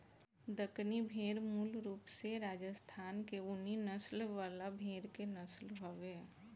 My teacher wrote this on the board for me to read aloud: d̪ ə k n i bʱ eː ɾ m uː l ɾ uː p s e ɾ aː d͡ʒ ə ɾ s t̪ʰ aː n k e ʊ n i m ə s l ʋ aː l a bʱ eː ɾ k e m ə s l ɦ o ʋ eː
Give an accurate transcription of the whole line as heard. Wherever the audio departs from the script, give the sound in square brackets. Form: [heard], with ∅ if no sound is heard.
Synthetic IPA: d̪ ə k n i bʱ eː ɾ m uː l ɾ uː p s e ɾ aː d͡ʒ ə [∅] s t̪ʰ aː n k e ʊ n i [n] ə s l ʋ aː l a bʱ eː ɾ k e [n] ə s l ɦ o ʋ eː